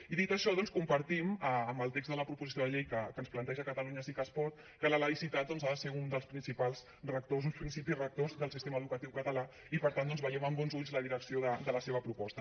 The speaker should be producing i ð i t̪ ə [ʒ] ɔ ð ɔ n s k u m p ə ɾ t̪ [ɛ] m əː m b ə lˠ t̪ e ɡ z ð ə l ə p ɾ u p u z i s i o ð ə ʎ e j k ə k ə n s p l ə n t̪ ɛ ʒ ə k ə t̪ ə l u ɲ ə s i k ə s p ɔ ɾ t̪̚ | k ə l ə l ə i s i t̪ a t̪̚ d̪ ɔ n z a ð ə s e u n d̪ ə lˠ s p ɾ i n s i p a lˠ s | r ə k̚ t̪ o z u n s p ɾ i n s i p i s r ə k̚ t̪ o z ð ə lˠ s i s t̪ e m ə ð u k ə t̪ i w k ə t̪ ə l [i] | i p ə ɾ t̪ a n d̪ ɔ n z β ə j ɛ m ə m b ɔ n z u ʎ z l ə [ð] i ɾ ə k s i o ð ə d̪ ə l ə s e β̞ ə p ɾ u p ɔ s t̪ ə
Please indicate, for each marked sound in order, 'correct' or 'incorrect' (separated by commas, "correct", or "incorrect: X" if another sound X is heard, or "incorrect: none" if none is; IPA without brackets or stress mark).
incorrect: ʃ, incorrect: i, incorrect: a, correct